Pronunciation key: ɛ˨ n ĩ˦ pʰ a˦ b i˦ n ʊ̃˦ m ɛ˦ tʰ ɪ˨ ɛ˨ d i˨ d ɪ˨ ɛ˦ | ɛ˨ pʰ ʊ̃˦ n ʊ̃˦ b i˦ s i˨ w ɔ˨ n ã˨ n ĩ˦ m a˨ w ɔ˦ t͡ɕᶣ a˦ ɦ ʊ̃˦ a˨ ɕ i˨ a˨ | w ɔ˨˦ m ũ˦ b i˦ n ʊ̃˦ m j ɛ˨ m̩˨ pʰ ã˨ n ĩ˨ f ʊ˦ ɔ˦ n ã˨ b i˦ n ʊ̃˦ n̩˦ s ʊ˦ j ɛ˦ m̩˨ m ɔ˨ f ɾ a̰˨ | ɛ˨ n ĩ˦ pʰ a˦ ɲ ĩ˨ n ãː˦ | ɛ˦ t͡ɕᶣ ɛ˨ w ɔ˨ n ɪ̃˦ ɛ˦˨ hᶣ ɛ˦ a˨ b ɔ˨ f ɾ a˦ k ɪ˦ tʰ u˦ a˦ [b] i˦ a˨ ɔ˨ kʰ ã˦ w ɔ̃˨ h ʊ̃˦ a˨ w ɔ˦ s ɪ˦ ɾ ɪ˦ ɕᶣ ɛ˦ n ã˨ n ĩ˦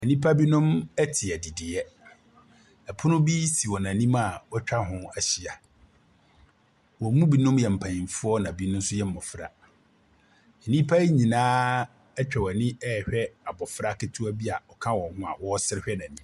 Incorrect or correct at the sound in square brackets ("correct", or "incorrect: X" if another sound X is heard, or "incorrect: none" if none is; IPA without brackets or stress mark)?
correct